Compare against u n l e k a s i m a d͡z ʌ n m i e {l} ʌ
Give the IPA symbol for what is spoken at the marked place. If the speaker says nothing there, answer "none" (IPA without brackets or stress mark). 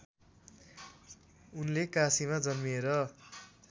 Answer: ɾ